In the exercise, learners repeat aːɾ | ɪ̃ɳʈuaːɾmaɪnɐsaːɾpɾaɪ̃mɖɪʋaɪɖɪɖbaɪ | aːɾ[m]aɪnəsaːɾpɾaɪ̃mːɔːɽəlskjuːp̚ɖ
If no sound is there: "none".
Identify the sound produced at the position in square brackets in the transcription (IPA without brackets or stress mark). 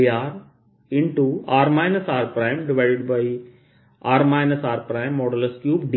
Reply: m